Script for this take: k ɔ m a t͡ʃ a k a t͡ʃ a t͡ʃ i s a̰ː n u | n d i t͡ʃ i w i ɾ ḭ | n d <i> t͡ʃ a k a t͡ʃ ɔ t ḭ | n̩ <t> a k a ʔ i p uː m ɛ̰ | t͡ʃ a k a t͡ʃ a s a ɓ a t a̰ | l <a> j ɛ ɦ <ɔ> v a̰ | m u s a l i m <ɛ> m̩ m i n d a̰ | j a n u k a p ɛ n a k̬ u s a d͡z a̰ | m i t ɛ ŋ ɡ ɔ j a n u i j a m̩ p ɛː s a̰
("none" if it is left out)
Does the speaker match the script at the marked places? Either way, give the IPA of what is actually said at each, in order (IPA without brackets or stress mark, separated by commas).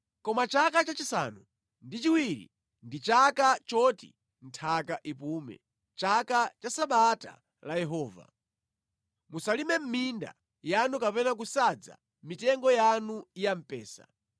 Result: i, tʰ, a, ɔː, ɛ